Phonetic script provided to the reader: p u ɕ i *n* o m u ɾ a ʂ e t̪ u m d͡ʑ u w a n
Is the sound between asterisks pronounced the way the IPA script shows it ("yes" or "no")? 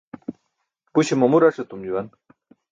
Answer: no